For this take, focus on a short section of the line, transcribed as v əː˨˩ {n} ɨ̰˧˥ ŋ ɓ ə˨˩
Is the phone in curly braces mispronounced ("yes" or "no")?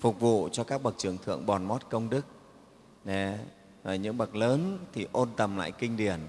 yes